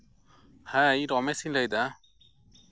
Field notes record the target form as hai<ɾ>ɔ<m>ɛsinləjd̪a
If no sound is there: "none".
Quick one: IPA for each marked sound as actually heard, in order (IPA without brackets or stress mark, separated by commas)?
ɾ, m